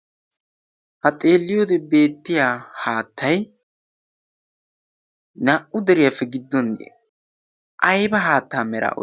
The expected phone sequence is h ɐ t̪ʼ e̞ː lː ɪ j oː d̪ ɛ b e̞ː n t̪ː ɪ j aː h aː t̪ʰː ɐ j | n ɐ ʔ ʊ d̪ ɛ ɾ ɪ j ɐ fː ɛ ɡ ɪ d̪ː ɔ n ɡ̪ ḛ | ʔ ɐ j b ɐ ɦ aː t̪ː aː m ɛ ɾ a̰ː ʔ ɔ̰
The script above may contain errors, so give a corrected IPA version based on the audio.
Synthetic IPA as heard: h ɐ t̪ʼ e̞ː lː ɪ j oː d̪ ɛ b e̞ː t̪ː ɪ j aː h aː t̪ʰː ɐ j | n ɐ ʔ ʊ d̪ ɛ ɾ ɪ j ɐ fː ɛ ɡ ɪ d̪ː ɔ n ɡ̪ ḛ | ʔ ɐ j b ɐ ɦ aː t̪ː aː m ɛ ɾ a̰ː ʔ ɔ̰

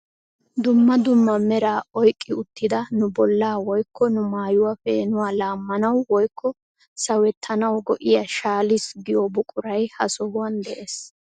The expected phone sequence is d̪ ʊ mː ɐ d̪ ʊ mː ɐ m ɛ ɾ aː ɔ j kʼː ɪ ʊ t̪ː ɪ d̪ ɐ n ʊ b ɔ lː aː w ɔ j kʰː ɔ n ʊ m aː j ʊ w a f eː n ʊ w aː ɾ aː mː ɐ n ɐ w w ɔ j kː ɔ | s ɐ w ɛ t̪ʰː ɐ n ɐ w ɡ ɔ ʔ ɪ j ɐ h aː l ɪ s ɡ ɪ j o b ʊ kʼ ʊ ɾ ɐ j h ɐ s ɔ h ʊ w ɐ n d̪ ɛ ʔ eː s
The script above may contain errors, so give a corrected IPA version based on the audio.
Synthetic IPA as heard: d̪ ʊ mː ɐ d̪ ʊ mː ɐ m ɛ ɾ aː ɔ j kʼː ɪ ʊ t̪ː ɪ d̪ ɐ n ʊ b ɔ lː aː w ɔ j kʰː ɔ n ʊ m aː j ʊ w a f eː n ʊ w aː l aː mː ɐ n ɐ w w ɔ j kː ɔ | s ɐ w ɛ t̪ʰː ɐ n ɐ w ɡ ɔ ʔ ɪ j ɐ ʃ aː l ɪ s ɡ ɪ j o b ʊ kʼ ʊ ɾ ɐ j h ɐ s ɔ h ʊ w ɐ n d̪ ɛ ʔ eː s

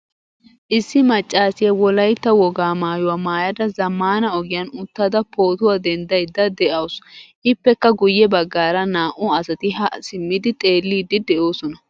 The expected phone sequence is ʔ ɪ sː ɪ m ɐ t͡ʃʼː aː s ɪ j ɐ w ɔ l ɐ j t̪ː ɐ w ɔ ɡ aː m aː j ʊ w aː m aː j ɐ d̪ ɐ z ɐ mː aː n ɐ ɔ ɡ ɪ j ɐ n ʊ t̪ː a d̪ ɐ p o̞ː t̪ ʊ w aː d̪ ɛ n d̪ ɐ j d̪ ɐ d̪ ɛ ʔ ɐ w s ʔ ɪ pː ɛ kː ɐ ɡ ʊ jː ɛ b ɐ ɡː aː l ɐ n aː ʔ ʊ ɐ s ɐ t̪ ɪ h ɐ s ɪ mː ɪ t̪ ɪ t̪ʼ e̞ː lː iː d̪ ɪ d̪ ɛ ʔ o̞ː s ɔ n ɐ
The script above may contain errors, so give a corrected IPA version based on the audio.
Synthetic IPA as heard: ʔ ɪ sː ɪ m ɐ t͡ʃʼː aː s ɪ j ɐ w ɔ l ɐ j t̪ː ɐ w ɔ ɡ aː m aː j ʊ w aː m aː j ɐ d̪ ɐ z ɐ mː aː n ɐ ɔ ɡ ɪ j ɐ n ʊ t̪ː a d̪ ɐ p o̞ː t̪ ʊ w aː d̪ ɛ n d̪ ɐ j d̪ ɐ d̪ ɛ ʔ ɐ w s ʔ ɪ pː ɛ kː ɐ ɡ ʊ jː ɛ b ɐ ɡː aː ɾ ɐ n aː ʔ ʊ ɐ s ɐ t̪ ɪ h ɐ s ɪ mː ɪ d̪ ɪ t̪ʼ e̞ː lː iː d̪ ɪ d̪ ɛ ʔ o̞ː s ɔ n ɐ

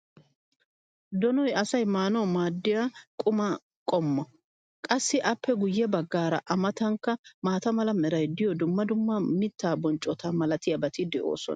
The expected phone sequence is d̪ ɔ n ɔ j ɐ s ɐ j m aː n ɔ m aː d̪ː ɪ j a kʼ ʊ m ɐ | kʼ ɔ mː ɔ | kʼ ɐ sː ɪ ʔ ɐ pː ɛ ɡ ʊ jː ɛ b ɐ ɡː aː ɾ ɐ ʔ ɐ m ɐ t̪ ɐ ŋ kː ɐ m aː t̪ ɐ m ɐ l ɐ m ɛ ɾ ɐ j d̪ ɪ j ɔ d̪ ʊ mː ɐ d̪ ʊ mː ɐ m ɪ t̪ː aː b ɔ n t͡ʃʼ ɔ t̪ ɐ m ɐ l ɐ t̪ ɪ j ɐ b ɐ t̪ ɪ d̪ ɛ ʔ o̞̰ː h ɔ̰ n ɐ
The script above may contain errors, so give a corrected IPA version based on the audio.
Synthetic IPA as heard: d̪ ɔ n ɔ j ɐ s ɐ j m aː n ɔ m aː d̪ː ɪ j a kʼ ʊ m ɐ | kʼ ɔ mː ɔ | kʼ ɐ sː ɪ ʔ ɐ pː ɛ ɡ ʊ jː ɛ b ɐ ɡː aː ɾ ɐ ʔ ɐ m ɐ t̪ ɐ ŋ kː ɐ m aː t̪ ɐ m ɐ l ɐ m ɛ ɾ ɐ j d̪ ɪ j ɔ d̪ ʊ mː ɐ d̪ ʊ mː ɐ m ɪ t̪ː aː b ɔ n t͡ʃʼ ɔ t̪ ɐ m ɐ l ɐ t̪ ɪ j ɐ b ɐ t̪ ɪ d̪ ɛ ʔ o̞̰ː s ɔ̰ n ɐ

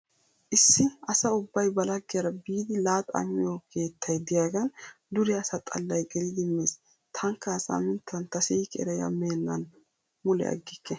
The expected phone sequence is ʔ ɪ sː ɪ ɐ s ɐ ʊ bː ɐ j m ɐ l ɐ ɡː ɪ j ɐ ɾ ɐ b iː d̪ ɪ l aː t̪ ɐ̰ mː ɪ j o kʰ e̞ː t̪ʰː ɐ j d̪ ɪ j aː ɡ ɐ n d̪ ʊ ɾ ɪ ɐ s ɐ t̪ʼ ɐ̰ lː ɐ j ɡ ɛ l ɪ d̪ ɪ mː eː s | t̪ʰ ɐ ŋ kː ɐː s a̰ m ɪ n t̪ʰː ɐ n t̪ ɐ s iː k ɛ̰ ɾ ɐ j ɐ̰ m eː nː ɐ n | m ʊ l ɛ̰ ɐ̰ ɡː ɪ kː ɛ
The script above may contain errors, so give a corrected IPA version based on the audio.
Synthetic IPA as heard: ʔ ɪ sː ɪ ɐ s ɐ ʊ bː ɐ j b ɐ l ɐ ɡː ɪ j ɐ ɾ ɐ b iː d̪ ɪ l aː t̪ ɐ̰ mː ɪ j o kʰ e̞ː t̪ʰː ɐ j d̪ ɪ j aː ɡ ɐ n d̪ ʊ ɾ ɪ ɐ s ɐ t̪ʼ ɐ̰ lː ɐ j ɡ ɛ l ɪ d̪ ɪ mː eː s | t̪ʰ ɐ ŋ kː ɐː s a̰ m ɪ n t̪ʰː ɐ n t̪ ɐ s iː k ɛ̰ ɾ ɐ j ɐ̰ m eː nː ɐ n | m ʊ l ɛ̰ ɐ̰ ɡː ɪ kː ɛ

